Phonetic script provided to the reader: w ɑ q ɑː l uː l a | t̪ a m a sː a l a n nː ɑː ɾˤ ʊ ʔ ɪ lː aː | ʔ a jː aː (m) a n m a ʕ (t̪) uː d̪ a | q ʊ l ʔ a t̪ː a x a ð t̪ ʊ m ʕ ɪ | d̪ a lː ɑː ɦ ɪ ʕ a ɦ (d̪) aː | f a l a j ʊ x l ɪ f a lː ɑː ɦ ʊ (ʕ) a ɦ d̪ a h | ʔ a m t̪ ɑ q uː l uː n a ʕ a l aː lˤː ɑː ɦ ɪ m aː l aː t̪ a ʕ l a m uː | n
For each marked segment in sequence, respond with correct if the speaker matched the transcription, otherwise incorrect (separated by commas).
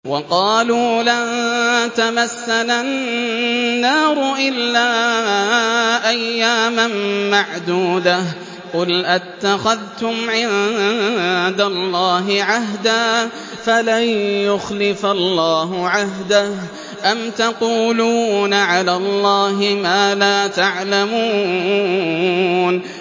correct, incorrect, correct, correct